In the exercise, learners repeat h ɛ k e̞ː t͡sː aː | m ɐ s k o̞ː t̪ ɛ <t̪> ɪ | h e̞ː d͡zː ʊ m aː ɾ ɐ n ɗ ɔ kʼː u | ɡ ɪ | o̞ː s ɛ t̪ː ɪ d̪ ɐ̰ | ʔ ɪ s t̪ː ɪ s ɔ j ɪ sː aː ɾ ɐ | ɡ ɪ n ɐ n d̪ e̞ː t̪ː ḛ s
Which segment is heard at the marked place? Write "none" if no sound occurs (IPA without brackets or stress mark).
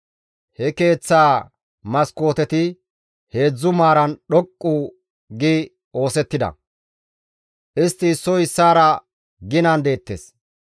t̪